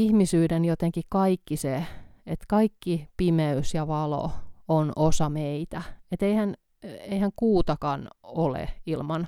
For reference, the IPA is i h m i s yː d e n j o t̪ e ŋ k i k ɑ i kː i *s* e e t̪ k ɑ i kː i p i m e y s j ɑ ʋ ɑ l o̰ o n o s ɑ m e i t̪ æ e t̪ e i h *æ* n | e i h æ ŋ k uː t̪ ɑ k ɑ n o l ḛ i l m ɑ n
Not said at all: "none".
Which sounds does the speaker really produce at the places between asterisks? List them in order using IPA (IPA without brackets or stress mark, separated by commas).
s, æ